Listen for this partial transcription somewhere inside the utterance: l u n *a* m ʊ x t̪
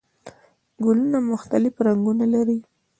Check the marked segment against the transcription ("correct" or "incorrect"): correct